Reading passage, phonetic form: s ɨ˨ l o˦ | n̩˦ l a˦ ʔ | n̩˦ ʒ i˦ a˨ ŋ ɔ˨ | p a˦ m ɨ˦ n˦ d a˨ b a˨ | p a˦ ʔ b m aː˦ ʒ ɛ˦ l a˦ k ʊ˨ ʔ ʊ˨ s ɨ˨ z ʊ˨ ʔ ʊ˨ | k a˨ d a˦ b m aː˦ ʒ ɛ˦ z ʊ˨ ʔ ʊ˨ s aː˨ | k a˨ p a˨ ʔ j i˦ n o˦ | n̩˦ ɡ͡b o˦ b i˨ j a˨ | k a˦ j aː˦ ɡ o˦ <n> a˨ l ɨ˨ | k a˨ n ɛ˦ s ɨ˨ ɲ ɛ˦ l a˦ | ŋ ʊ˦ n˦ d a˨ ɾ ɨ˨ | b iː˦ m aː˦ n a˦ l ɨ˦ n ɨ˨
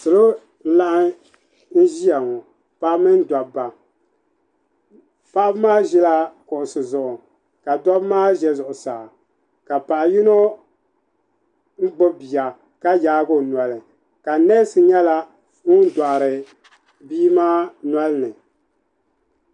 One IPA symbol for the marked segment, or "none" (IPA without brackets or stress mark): n